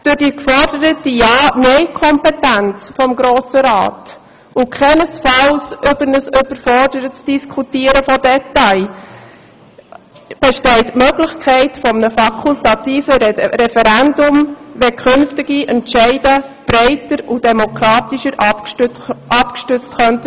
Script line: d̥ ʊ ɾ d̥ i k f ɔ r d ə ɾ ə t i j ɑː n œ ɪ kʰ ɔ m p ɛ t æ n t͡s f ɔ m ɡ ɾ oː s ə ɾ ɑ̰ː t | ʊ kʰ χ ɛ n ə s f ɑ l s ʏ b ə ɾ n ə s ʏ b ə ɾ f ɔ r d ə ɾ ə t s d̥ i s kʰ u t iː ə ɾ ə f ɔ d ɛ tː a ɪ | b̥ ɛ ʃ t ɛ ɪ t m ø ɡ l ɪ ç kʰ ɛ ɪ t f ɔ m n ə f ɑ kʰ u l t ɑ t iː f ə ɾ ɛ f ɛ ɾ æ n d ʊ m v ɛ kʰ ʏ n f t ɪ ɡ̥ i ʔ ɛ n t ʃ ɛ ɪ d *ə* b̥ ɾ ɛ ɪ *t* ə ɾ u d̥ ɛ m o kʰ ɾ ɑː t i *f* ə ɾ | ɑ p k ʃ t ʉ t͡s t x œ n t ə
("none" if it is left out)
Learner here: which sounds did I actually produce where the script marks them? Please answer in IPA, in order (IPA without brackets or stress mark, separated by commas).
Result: ə, t, ʃ